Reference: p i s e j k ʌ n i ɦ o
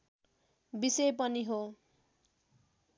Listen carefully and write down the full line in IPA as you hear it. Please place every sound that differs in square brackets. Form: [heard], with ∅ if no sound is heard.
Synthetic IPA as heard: [b] i s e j [p] ʌ n i ɦ o